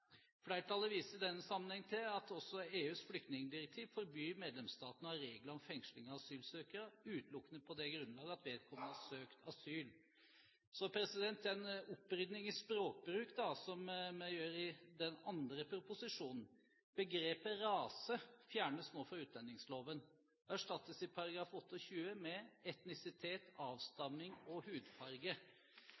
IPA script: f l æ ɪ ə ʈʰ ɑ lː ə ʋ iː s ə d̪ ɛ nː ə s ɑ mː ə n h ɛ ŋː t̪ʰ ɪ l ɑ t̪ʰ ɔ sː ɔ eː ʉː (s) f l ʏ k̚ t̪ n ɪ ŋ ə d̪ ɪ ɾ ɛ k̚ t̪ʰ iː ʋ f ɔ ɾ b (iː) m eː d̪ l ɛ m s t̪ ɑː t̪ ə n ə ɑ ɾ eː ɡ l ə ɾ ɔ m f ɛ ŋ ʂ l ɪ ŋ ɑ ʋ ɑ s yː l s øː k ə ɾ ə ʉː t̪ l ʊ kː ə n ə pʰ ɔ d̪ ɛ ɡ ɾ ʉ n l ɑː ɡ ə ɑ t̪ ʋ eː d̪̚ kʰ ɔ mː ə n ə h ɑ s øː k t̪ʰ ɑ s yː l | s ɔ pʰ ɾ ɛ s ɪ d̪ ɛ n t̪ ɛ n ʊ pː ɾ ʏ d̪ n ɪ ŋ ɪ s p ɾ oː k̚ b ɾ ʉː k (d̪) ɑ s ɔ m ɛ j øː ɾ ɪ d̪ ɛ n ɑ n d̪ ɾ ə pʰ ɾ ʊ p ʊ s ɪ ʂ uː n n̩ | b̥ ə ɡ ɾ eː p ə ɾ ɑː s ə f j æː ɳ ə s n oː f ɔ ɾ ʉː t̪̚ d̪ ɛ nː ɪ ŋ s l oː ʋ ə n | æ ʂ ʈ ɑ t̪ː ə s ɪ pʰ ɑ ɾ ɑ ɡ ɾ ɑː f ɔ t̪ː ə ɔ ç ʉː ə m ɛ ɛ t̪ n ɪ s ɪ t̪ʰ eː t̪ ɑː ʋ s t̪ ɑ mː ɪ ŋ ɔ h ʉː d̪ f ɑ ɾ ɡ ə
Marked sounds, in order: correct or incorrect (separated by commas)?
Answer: correct, incorrect, correct